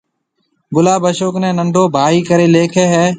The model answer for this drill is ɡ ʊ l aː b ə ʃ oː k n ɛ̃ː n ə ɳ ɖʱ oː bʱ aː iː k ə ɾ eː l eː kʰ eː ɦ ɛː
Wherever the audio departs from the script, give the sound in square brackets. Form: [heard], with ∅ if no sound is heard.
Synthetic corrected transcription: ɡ ʊ l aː b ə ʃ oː k n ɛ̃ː n ə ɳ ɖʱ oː bʱ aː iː k ə ɾ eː l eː kʰ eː ɦ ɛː